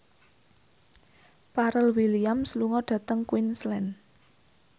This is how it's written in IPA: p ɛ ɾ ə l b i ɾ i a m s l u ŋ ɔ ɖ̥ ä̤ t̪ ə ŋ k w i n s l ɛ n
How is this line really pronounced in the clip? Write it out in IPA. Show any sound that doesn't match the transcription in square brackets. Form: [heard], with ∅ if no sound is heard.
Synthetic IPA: p [a] ɾ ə l [w] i [l] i a m s l u ŋ ɔ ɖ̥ ä̤ t̪ ə ŋ k w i n s l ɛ n

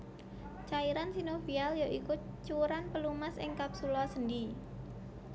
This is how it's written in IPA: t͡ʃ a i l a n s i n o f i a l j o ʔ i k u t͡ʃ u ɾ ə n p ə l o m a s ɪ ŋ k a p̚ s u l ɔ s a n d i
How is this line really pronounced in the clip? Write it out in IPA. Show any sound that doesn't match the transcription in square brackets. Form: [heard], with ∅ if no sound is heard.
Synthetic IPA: t͡ʃ a i [ɾ] a n s i n o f i a l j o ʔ i k u t͡ʃ u ɾ [a] n p ə l [u] m a s ɪ ŋ k a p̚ s u l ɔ s [ə] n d i

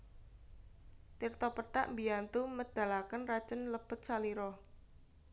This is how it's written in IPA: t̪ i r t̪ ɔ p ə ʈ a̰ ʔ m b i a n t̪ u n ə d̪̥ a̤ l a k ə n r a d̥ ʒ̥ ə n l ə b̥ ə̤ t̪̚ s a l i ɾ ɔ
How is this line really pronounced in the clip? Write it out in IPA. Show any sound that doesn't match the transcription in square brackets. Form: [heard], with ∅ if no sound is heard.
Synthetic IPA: t̪ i r t̪ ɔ p ə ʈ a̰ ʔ m b i a n t̪ u [m] ə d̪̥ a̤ l a k ə n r a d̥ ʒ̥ ə n l ə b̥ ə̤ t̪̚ s a l i ɾ ɔ

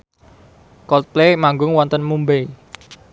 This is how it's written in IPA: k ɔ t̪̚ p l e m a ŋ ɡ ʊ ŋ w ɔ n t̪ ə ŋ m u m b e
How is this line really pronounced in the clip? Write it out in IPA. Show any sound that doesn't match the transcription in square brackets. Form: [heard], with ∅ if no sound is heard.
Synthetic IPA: k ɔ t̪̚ p l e m a ŋ ɡ ʊ ŋ w ɔ n t̪ ə [n] m u m b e

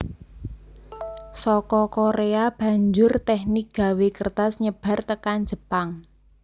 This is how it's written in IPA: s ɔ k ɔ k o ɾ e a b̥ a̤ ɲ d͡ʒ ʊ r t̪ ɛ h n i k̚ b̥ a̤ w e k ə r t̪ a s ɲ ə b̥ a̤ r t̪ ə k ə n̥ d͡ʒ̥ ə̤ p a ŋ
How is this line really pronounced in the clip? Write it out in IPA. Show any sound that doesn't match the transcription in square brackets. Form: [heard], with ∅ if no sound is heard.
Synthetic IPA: s ɔ k ɔ k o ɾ e a b̥ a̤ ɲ d͡ʒ ʊ r t̪ ɛ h n i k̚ [ɡ̥] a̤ w e k ə r t̪ a s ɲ ə b̥ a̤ r t̪ ə k [a] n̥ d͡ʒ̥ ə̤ p a ŋ

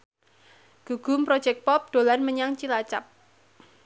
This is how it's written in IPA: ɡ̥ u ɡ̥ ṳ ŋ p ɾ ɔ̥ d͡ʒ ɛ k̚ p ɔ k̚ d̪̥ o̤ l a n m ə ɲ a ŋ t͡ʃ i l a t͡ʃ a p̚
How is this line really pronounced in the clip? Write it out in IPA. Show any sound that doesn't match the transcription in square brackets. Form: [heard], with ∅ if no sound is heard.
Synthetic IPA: ɡ̥ u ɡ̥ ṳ [m] p ɾ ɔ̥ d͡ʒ ɛ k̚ p ɔ [p̚] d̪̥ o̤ l a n m ə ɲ a ŋ t͡ʃ i l a t͡ʃ a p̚

